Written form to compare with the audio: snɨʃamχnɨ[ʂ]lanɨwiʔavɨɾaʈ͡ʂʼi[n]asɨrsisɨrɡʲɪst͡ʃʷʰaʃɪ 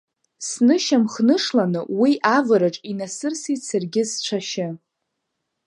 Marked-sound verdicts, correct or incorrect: correct, correct

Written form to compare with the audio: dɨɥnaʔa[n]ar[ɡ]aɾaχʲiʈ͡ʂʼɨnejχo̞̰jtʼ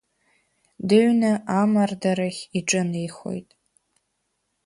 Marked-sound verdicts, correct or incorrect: incorrect, incorrect

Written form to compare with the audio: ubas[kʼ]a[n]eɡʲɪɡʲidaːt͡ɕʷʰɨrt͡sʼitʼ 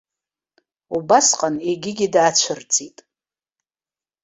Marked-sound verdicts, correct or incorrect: incorrect, correct

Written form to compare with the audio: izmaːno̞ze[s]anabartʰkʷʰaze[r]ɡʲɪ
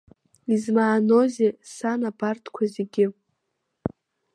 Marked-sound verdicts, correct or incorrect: correct, incorrect

